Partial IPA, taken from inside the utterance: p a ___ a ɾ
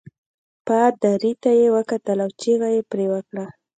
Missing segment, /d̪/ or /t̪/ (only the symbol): d̪